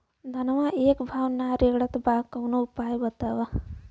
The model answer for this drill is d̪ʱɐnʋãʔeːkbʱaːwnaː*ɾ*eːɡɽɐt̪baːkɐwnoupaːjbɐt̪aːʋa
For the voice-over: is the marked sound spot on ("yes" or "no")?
yes